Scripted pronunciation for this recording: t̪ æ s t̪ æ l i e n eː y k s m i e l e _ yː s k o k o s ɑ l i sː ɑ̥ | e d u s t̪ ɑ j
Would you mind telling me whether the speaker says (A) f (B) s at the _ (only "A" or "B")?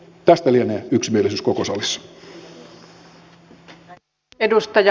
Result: B